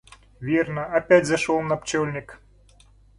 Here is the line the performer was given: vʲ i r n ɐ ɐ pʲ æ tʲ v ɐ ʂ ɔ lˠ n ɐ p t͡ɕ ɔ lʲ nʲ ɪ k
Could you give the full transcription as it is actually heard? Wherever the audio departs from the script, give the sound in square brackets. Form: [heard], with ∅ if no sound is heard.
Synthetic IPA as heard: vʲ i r n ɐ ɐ pʲ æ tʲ [z] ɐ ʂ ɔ lˠ n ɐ p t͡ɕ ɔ lʲ nʲ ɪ k